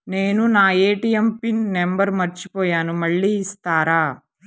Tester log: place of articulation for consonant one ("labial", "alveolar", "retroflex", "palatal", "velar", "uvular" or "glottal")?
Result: alveolar